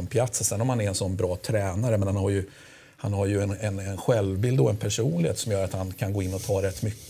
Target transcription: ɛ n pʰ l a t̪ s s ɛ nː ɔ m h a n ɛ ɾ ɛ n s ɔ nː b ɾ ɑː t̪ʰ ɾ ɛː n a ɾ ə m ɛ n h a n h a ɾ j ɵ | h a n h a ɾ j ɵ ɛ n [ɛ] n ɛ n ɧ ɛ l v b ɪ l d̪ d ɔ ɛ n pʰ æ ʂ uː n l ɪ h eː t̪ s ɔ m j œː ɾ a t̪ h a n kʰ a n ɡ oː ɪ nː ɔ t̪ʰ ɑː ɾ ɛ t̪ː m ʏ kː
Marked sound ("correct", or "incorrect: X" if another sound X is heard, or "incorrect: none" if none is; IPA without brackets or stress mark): correct